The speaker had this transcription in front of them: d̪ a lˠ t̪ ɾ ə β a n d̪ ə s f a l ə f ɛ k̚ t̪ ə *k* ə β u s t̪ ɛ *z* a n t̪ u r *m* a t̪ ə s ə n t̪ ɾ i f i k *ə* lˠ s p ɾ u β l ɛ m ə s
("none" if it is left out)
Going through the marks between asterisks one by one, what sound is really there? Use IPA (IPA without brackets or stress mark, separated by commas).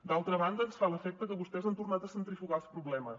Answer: k, z, n, a